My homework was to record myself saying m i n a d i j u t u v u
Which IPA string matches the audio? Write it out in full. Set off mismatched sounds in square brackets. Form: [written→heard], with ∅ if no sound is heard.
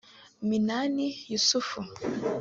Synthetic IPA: m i n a [d→n] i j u [t→s] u [v→f] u